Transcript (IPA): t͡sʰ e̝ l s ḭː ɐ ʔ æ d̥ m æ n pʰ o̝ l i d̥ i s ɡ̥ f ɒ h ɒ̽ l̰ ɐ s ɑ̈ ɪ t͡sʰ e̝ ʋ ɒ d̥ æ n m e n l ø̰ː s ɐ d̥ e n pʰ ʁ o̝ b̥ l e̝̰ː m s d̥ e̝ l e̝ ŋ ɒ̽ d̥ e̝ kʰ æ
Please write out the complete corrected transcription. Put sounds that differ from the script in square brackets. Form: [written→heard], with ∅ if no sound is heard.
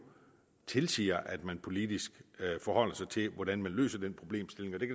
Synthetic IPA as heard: t͡sʰ e̝ l s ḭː ɐ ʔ æ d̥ m æ n pʰ o̝ l i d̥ i s ɡ̥ f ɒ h ɒ̽ l̰ ɐ s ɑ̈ ɪ t͡sʰ e̝ ʋ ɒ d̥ æ n m [e→æ] n l ø̰ː s ɐ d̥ e n pʰ ʁ o̝ b̥ l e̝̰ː m s d̥ e̝ l e̝ ŋ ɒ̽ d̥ e̝ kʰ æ